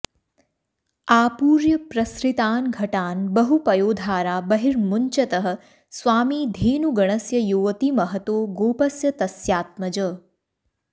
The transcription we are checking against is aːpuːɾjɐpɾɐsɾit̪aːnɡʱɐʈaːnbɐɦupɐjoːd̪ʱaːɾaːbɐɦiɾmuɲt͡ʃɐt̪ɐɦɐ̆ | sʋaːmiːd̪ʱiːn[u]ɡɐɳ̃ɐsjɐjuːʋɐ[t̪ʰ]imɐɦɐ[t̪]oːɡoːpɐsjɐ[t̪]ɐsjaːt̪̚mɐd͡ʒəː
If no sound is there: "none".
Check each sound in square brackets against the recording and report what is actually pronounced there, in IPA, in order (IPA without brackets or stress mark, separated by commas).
u, t̪, t̪, t̪